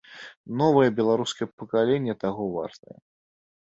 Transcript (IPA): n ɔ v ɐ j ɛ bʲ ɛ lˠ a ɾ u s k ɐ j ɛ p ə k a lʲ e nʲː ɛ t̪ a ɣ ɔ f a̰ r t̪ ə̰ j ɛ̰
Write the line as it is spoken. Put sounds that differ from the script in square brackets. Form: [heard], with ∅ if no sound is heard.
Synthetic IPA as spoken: n ɔ v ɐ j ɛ bʲ ɛ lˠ a ɾ u s k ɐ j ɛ p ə k a lʲ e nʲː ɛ t̪ a ɣ ɔ [v] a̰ r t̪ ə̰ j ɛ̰

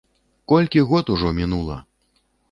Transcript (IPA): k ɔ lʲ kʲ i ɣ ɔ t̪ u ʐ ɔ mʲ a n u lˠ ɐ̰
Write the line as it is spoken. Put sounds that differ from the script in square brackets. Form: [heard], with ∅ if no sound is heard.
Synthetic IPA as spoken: k ɔ lʲ kʲ i ɣ ɔ t̪ u ʐ ɔ mʲ [i] n u lˠ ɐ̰

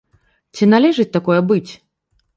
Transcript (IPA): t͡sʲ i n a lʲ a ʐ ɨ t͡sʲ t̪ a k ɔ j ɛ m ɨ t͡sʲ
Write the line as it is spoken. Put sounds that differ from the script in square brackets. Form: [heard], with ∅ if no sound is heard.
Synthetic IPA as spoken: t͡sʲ i n a lʲ [ɛ] ʐ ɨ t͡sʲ t̪ a k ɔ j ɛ [b] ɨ t͡sʲ

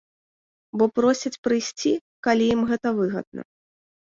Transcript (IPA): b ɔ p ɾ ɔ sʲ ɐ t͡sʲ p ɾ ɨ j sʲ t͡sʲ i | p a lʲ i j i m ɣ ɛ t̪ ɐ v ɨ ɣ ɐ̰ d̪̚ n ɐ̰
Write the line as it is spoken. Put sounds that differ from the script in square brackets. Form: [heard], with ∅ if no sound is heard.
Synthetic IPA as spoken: b ɔ p ɾ ɔ sʲ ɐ t͡sʲ p ɾ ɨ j sʲ t͡sʲ i | [k] a lʲ i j i m ɣ ɛ t̪ ɐ v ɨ ɣ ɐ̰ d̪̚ n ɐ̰

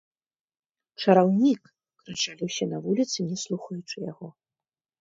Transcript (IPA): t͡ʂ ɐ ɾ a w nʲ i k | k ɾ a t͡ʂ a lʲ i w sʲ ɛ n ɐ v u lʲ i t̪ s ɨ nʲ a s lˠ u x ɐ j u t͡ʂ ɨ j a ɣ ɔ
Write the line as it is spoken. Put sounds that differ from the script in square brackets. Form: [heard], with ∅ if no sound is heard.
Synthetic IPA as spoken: t͡ʂ ɐ ɾ a w nʲ i k | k ɾ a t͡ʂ a lʲ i w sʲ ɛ n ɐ v u lʲ i t̪ s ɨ nʲ [ɛ] s lˠ u x ɐ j u t͡ʂ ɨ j a ɣ ɔ

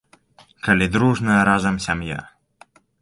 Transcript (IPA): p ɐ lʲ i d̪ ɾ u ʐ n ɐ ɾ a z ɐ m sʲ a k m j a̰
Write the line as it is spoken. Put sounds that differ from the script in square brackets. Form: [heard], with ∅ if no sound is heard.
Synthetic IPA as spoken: [k] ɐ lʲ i d̪ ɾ u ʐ n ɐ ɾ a z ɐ m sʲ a [∅] m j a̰

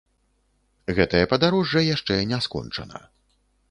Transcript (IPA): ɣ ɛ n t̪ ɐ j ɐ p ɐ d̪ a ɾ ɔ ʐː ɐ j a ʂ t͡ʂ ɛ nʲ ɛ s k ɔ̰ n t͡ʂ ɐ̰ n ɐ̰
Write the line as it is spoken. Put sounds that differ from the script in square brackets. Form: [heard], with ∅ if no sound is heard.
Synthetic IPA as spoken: ɣ ɛ [∅] t̪ ɐ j ɐ p ɐ d̪ a ɾ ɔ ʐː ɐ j a ʂ t͡ʂ ɛ nʲ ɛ s k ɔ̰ n t͡ʂ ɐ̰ n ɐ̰

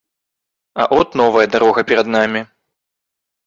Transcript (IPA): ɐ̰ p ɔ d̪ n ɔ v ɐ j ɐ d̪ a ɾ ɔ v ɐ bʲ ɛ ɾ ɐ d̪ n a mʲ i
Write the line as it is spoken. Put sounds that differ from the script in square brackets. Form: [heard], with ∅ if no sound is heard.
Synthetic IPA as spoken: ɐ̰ [ʔ] ɔ [t̪] n ɔ v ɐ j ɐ d̪ a ɾ ɔ [ɣ] ɐ [pʲ] ɛ ɾ ɐ d̪ n a mʲ i

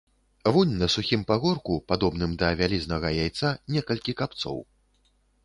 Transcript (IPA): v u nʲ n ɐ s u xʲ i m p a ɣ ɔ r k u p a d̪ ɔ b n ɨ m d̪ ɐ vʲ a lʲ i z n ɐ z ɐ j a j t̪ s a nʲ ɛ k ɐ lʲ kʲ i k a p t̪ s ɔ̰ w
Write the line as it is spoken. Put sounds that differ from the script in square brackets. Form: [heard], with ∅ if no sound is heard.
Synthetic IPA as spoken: v u nʲ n ɐ s u xʲ i m p a ɣ ɔ r k u p a d̪ ɔ b n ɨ m d̪ ɐ vʲ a lʲ i z n ɐ [ɣ] ɐ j a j t̪ s a nʲ ɛ k ɐ lʲ kʲ i k a p t̪ s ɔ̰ w

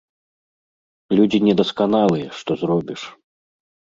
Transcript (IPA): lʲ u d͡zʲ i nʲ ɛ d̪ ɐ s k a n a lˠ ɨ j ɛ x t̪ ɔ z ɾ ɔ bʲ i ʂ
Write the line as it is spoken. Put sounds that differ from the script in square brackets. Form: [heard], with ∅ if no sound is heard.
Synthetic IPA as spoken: lʲ u d͡zʲ i nʲ ɛ d̪ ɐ s k a n a lˠ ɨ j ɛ [ʂ] t̪ ɔ z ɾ ɔ bʲ i ʂ

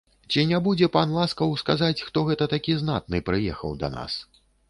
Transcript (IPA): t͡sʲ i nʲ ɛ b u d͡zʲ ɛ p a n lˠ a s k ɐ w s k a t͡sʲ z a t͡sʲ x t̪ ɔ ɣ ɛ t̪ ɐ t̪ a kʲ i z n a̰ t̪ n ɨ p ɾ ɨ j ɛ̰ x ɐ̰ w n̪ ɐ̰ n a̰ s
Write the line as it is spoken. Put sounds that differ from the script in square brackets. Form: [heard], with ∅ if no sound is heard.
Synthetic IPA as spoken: t͡sʲ i nʲ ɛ b u d͡zʲ ɛ p a n lˠ a s k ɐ w s k a [∅] z a t͡sʲ x t̪ ɔ ɣ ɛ t̪ ɐ t̪ a kʲ i z n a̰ t̪ n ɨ p ɾ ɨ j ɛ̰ x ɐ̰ w [d̪] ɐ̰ n a̰ s

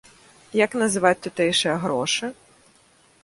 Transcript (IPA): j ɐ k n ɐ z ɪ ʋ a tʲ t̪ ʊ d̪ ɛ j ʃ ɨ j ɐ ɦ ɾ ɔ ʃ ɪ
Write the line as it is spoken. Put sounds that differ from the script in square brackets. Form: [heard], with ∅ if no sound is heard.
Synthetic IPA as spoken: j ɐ k n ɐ z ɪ ʋ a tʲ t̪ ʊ [t̪] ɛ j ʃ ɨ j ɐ ɦ ɾ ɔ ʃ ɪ

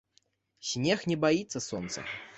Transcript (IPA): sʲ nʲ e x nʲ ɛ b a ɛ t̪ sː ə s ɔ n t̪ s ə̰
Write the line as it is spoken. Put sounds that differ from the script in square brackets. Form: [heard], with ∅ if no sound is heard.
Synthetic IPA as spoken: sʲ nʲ e x nʲ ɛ b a [i] t̪ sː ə s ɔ n t̪ s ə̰

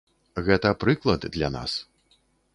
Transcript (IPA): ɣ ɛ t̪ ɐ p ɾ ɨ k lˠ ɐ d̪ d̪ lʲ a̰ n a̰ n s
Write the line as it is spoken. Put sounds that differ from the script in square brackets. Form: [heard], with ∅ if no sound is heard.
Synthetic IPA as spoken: ɣ ɛ t̪ ɐ p ɾ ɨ k lˠ ɐ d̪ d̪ lʲ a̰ n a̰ [∅] s

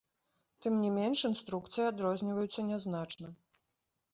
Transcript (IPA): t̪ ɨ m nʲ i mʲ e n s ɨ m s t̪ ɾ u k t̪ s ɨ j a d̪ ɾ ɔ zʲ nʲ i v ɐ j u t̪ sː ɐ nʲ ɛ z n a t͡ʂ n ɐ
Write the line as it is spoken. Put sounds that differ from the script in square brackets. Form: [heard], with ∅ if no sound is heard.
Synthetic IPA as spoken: t̪ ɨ m nʲ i mʲ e n [ʂ] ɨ [n] s t̪ ɾ u k t̪ s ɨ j a d̪ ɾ ɔ zʲ nʲ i v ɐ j u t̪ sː ɐ nʲ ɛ z n a t͡ʂ n ɐ

